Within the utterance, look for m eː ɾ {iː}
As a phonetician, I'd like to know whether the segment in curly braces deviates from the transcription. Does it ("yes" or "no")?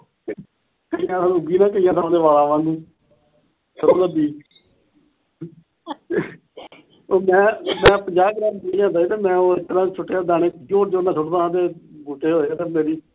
no